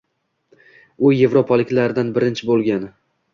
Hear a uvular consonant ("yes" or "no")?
no